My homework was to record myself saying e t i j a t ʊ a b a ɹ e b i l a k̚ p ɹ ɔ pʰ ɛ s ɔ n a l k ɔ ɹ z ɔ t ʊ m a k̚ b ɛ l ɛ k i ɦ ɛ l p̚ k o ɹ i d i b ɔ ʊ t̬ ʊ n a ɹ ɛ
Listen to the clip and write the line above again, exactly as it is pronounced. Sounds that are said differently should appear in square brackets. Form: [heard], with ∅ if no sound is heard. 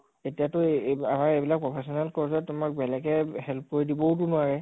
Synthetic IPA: e t i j a t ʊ a [m] a ɹ e b i l a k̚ p ɹ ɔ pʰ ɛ s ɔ n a l k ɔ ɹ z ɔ t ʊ m a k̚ b ɛ l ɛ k [ɛ] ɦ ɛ l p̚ k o ɹ i d i b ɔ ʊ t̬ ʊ n a ɹ ɛ